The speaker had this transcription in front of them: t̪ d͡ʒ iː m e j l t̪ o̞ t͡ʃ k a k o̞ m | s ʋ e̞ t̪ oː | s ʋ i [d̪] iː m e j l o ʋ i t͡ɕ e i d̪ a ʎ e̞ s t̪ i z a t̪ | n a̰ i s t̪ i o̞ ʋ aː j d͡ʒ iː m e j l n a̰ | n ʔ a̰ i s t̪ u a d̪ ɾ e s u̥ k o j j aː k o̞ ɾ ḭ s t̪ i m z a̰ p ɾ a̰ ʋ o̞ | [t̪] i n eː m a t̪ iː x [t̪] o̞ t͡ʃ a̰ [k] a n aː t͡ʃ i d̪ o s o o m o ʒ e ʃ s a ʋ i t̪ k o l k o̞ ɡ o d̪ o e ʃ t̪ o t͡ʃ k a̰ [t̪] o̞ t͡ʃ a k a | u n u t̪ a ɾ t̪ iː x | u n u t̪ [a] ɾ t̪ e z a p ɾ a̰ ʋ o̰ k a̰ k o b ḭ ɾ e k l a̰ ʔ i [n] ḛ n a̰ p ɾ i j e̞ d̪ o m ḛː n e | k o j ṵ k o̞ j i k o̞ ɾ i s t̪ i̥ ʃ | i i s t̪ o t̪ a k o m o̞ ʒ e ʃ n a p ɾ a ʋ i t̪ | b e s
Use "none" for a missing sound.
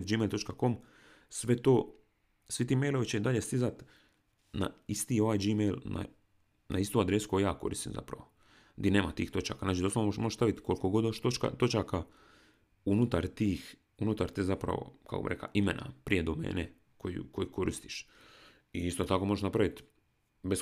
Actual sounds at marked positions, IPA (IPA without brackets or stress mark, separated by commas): t̪, d̪, t̪, k, t̪, a, m